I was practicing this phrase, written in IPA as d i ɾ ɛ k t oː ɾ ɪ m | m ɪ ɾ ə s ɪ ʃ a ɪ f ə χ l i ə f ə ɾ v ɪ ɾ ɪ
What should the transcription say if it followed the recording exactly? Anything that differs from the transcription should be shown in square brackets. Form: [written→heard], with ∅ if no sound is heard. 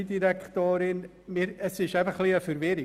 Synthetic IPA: d i ɾ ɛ k t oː ɾ ɪ [m→n] | m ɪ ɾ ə s ɪ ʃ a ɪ f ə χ l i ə f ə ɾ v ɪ ɾ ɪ